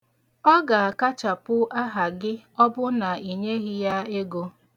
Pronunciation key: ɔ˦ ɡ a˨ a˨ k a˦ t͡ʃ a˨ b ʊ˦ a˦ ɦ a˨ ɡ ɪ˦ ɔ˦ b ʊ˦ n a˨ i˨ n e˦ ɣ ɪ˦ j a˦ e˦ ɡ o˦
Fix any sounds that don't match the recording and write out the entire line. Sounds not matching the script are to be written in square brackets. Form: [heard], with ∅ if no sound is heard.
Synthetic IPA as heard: ɔ˦ ɡ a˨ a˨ k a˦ t͡ʃ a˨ [p] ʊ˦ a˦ ɦ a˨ ɡ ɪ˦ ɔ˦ b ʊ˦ n a˨ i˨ [ɲ] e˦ ɣ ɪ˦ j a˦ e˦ ɡ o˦